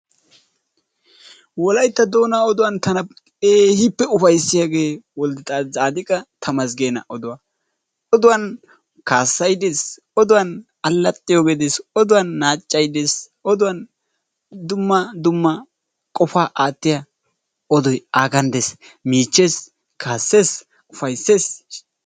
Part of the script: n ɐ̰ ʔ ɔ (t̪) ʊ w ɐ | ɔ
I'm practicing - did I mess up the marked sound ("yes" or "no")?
yes